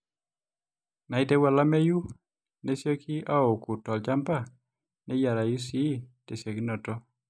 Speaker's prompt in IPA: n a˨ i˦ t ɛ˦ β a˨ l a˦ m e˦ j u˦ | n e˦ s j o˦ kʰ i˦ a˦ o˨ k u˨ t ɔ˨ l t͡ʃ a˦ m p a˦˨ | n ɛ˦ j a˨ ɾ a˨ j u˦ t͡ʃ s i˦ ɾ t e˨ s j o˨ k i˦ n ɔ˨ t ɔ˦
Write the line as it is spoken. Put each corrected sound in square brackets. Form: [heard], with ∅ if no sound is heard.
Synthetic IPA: n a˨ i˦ t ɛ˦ [w] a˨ l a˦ m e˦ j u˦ | n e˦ s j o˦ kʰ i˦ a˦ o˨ k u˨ t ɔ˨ l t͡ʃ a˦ m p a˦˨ | n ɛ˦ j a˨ ɾ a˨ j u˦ [∅] s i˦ [∅] t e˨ s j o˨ k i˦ n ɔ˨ t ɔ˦